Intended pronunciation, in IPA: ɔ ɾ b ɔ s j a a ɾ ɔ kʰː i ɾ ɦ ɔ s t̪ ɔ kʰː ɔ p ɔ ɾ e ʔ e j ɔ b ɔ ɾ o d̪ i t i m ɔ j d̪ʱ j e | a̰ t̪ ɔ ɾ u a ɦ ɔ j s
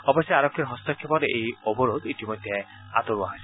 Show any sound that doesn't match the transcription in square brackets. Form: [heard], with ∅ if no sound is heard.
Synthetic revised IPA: ɔ [∅] b ɔ s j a a ɾ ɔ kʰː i ɾ ɦ ɔ s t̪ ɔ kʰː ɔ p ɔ ɾ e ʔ e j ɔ b ɔ ɾ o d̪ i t i m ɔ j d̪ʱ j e | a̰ t̪ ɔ ɾ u a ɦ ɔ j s